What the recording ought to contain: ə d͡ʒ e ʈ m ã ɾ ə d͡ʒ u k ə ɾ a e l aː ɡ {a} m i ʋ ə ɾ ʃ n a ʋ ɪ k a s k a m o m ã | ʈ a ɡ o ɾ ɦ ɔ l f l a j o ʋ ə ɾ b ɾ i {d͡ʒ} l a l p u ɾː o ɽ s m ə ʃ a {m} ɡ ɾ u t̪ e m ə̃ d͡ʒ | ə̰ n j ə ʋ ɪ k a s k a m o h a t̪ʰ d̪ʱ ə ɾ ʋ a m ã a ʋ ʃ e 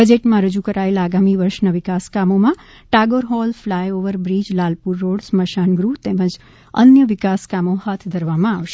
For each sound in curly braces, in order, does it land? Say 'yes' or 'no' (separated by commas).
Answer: yes, yes, no